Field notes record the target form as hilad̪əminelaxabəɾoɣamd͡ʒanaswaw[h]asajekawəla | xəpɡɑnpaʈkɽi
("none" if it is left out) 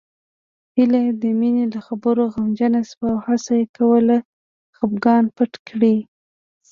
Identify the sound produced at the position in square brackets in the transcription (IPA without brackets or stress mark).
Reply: h